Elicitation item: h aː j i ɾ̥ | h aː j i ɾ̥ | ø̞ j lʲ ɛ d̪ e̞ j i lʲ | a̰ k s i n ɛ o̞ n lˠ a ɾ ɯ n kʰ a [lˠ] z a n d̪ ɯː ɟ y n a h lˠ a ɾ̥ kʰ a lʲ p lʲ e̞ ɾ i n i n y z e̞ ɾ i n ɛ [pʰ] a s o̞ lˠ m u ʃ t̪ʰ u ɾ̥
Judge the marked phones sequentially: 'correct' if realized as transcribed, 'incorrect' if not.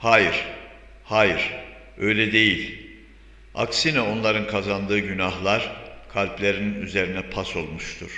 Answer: incorrect: none, correct

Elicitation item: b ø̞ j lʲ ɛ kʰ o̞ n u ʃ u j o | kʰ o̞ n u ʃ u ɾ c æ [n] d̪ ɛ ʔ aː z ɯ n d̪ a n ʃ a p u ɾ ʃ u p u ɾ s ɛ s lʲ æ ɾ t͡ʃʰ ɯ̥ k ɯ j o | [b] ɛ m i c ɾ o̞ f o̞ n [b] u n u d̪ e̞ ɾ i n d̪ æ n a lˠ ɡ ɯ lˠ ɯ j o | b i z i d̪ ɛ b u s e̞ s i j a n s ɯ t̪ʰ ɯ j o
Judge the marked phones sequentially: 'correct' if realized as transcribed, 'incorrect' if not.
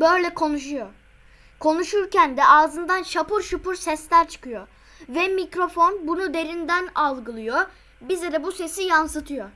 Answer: correct, incorrect: v, correct

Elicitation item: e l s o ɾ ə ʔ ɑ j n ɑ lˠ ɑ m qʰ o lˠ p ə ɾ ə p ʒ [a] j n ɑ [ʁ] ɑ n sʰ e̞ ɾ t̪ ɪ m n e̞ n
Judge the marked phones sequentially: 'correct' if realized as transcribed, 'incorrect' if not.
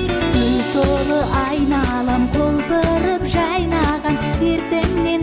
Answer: incorrect: ɑ, correct

